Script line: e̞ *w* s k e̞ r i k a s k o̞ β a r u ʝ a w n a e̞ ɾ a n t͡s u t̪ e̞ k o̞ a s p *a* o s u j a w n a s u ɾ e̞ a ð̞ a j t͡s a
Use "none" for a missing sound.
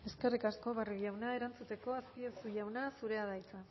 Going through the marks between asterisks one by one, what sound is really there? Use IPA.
none, i

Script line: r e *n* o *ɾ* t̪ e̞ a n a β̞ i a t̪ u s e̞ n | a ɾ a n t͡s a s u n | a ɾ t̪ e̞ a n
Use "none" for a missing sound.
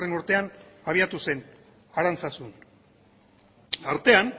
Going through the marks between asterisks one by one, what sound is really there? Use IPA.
n, ɾ

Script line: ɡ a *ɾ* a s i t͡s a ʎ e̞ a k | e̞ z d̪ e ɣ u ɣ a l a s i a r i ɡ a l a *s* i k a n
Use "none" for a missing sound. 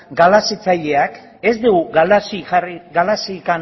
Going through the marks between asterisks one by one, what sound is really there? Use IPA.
l, s

